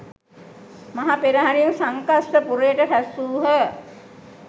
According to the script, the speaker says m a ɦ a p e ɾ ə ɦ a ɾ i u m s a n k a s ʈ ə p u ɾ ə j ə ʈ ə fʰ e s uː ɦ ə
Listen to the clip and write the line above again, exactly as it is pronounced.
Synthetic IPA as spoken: m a ɦ a p e ɾ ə ɦ a ɾ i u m s a ŋ k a s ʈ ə p u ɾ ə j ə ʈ ə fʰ æ s uː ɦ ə